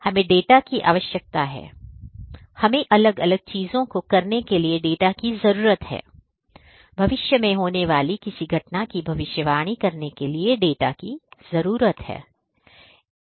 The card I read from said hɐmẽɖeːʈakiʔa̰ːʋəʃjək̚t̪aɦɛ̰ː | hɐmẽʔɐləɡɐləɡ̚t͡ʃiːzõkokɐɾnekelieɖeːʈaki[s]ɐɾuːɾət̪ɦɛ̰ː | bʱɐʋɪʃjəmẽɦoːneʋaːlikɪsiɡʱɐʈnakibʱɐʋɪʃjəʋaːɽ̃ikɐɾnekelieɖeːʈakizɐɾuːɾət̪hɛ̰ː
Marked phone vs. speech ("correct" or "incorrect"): incorrect